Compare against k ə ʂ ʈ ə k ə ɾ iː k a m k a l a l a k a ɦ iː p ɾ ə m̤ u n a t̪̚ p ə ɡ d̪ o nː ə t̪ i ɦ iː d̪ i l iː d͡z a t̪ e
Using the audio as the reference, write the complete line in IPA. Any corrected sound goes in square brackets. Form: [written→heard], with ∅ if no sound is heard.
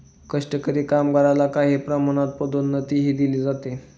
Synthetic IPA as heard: k ə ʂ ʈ ə k ə ɾ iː k a m [k→ɡ] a [l→ɾ] a l a k a ɦ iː p ɾ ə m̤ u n a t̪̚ p ə [ɡ→∅] d̪ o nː ə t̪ i ɦ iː d̪ i l iː d͡z a t̪ e